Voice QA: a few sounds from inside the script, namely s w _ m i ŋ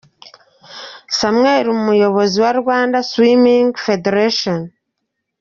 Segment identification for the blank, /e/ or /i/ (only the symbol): i